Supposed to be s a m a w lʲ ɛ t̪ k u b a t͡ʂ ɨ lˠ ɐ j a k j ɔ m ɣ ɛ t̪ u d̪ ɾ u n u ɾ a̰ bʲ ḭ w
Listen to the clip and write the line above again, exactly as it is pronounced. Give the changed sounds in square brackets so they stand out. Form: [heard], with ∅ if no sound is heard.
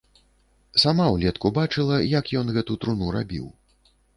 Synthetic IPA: s a m a w lʲ ɛ t̪ k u b a t͡ʂ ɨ lˠ ɐ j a k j ɔ [n] ɣ ɛ t̪ u [t̪] ɾ u n u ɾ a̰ bʲ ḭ w